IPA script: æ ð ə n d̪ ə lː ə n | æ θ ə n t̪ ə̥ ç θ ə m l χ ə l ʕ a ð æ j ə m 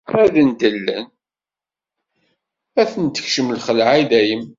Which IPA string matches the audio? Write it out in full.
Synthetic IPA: æ ð ə n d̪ ə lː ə n | æ θ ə n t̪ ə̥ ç ʃ ə m l χ ə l ʕ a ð æ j ə m

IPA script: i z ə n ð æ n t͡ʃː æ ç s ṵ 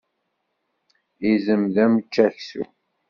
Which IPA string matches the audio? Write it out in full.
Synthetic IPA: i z ə m ð æ m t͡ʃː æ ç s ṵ

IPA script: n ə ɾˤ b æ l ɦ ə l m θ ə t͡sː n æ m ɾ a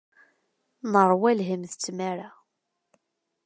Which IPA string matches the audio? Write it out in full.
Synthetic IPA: n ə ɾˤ w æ l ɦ ə m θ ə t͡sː m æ ɾ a

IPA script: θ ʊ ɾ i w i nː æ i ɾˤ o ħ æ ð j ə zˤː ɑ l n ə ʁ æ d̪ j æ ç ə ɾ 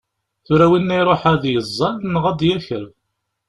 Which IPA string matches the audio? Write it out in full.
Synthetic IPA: θ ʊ ɾ æ w i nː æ j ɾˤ o ħ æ ð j ə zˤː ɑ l n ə ʁ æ d̪ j æ ç ə ɾ

